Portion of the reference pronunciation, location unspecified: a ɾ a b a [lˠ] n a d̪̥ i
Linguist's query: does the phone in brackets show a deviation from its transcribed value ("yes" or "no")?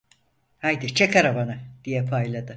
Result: yes